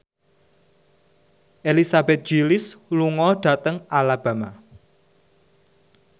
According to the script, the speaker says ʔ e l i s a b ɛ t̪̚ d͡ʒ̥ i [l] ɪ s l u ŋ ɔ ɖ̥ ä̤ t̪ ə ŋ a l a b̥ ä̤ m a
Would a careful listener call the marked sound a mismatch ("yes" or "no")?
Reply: no